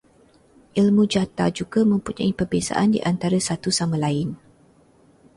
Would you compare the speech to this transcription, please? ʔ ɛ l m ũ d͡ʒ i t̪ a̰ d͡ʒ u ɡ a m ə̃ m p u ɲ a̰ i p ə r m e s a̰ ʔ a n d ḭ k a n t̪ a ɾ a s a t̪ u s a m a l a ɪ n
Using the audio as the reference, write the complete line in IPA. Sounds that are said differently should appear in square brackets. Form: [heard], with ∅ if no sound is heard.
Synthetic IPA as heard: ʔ [i] l m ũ d͡ʒ [a] t̪ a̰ d͡ʒ u ɡ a m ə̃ m p u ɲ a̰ i p ə r [b] e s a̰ ʔ a n d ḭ [ʔ] a n t̪ a ɾ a s a t̪ u s a m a l a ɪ n